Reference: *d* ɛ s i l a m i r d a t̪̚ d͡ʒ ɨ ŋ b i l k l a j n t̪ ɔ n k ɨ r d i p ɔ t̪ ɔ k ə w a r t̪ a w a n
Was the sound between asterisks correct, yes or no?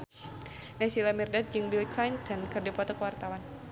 no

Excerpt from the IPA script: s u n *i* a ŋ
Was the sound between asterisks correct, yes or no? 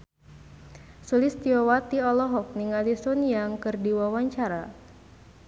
no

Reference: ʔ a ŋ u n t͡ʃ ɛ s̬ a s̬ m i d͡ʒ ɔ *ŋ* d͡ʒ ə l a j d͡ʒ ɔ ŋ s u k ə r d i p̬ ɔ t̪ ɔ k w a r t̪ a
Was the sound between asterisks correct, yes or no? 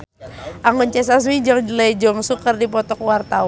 yes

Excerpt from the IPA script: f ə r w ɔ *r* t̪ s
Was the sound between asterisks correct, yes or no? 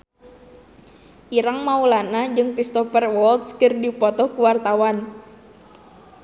no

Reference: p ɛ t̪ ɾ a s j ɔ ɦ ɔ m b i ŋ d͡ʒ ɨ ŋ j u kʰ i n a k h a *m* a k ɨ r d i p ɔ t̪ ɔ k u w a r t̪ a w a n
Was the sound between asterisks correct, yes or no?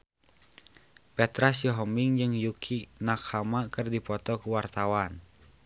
yes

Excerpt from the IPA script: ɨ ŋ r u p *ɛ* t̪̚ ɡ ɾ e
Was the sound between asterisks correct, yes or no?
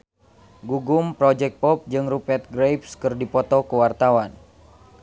yes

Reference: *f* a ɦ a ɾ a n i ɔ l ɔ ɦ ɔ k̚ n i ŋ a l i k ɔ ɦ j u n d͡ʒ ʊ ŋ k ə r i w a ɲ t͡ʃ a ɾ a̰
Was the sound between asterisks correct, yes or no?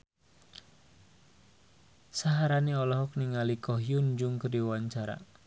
no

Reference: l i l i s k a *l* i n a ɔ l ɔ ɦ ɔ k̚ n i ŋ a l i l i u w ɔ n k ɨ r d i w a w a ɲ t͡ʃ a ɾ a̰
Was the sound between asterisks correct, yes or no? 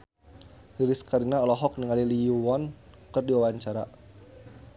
no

